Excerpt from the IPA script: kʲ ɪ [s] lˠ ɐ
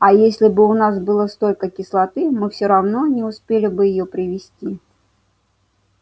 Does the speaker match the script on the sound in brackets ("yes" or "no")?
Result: yes